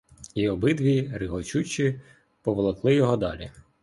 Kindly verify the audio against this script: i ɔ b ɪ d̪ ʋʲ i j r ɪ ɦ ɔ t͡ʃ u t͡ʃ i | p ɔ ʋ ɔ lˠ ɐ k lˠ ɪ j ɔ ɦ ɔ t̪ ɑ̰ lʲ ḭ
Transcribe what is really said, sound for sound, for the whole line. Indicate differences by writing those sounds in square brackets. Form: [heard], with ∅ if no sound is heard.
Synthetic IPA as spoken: i ɔ b ɪ d̪ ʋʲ i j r ɪ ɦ ɔ t͡ʃ u t͡ʃ i | p ɔ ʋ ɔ lˠ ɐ k lˠ ɪ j ɔ ɦ ɔ [d̪] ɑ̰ lʲ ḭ

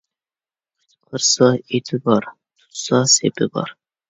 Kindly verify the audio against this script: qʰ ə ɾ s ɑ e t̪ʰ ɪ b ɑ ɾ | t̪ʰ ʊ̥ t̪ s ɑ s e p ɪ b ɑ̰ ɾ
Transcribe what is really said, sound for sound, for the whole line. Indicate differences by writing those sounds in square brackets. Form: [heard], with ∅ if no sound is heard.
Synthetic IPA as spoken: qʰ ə ɾ s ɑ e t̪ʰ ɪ b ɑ ɾ | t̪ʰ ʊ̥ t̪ s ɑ s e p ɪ b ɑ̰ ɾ

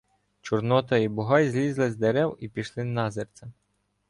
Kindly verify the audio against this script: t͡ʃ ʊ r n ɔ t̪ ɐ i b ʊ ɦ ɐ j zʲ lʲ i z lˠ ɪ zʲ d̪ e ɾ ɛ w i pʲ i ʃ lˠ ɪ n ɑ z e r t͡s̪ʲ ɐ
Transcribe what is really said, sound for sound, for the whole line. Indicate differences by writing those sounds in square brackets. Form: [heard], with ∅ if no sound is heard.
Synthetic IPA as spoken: t͡ʃ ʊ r n ɔ t̪ ɐ i b ʊ ɦ [ɑ] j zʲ lʲ i z lˠ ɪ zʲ d̪ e ɾ ɛ w i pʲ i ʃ lˠ ɪ n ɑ z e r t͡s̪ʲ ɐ

